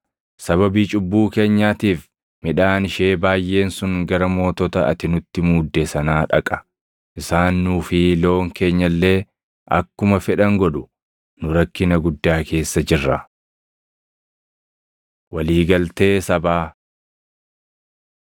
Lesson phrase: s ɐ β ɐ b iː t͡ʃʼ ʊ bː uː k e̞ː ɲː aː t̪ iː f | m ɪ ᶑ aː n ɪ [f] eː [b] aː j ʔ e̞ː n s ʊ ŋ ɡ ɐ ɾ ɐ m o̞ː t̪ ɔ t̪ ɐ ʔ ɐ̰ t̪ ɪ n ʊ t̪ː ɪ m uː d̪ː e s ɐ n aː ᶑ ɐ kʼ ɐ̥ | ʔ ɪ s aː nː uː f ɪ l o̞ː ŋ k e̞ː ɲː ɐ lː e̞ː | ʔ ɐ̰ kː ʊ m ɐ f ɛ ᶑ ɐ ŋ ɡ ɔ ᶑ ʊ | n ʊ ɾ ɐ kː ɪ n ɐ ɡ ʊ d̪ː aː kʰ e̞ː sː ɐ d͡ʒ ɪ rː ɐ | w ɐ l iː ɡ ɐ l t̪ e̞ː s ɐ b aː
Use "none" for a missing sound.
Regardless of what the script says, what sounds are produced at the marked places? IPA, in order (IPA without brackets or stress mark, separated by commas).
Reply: ʃ, b